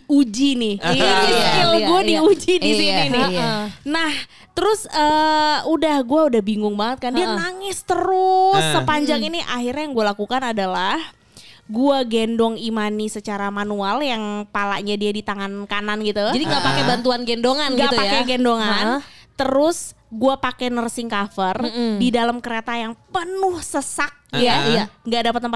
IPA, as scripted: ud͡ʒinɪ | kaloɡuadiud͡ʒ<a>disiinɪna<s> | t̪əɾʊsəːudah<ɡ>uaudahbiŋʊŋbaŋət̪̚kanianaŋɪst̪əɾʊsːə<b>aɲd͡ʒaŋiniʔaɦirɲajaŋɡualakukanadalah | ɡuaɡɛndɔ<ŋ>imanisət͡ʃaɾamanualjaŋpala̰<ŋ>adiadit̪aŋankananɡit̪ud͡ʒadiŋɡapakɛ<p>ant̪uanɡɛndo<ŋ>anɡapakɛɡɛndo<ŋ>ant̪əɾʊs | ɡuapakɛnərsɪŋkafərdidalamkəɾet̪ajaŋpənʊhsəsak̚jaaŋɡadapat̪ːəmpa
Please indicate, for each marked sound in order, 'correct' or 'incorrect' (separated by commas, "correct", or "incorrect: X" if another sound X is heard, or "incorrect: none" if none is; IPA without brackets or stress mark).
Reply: incorrect: i, incorrect: h, correct, incorrect: p, correct, incorrect: ɲ, incorrect: b, correct, correct